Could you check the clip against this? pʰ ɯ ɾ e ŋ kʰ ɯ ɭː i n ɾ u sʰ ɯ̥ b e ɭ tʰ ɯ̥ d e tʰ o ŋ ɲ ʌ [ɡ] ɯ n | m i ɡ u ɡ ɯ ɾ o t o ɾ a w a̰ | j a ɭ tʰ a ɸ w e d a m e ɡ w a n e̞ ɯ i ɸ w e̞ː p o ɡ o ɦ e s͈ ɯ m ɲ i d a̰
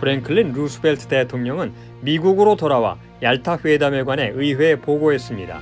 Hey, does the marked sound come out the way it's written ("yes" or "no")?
no